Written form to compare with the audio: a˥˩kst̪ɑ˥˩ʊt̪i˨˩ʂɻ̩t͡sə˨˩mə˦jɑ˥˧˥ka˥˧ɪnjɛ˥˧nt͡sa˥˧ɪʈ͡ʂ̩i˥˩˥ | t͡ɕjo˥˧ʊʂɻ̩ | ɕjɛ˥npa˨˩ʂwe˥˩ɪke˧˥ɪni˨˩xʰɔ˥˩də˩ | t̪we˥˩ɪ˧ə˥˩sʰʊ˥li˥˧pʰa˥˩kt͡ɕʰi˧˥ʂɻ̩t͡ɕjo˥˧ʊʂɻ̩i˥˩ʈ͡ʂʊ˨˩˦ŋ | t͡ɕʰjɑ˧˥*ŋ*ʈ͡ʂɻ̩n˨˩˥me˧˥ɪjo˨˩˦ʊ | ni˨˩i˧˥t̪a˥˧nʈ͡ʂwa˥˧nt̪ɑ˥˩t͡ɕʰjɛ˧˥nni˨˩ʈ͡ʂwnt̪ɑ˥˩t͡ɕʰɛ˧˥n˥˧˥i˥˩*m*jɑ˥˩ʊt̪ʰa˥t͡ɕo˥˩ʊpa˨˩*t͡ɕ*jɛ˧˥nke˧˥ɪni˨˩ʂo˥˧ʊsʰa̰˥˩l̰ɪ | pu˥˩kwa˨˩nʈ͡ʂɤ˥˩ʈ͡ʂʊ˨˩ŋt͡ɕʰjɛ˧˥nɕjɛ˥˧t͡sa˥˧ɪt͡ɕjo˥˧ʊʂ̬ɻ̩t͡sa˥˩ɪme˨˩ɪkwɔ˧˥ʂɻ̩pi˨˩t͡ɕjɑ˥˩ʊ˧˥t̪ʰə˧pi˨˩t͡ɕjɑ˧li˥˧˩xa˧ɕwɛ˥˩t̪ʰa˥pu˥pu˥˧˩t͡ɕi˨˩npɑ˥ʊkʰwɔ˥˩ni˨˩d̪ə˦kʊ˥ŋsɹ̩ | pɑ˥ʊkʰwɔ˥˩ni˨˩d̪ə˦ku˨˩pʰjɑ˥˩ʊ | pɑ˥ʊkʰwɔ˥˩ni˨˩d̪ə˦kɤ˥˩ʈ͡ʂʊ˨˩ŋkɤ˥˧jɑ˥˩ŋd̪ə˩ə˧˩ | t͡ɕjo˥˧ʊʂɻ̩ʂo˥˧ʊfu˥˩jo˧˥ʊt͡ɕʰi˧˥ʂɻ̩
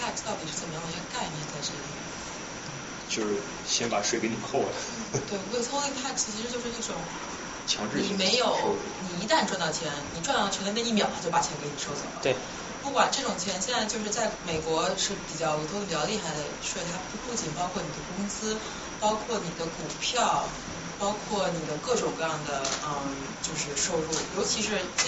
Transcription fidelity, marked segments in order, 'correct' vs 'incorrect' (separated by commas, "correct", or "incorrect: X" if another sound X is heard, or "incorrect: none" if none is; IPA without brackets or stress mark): correct, correct, incorrect: t͡ɕʰ